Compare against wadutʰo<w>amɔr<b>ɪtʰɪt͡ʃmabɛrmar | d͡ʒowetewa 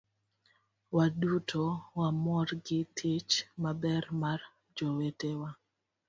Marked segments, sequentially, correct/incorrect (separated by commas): correct, incorrect